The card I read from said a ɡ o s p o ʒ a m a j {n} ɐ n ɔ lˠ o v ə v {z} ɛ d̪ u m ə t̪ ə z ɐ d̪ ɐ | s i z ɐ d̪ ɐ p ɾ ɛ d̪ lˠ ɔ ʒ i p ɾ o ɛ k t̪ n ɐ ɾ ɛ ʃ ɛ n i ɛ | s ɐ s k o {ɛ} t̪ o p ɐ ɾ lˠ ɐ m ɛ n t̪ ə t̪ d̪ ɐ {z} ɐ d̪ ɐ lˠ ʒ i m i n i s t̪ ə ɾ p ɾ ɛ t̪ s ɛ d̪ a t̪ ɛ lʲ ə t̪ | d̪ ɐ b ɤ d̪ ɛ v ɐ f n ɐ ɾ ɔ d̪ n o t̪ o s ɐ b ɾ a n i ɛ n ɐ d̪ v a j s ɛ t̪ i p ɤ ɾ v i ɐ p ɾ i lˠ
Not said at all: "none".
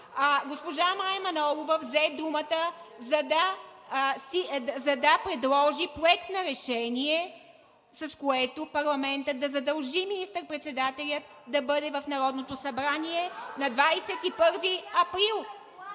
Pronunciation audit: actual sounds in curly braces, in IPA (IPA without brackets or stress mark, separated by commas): m, z, ɛ, z